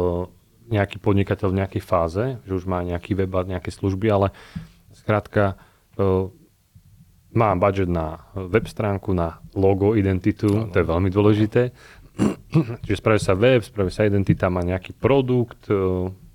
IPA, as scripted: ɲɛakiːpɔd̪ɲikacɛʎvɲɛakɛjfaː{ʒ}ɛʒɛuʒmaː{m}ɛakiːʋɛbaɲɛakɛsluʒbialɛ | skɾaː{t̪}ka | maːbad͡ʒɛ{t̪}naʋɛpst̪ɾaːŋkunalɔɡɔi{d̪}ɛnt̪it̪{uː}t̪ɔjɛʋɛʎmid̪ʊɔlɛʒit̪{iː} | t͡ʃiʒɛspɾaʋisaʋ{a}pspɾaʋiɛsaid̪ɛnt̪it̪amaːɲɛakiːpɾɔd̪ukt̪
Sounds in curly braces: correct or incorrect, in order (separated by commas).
incorrect, incorrect, correct, incorrect, correct, incorrect, incorrect, incorrect